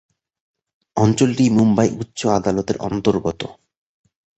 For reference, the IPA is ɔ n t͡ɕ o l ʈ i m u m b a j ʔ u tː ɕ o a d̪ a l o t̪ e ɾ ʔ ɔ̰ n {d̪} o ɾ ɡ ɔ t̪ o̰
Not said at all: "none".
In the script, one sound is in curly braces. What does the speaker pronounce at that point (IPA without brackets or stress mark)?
t̪